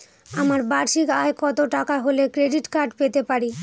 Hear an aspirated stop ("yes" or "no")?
no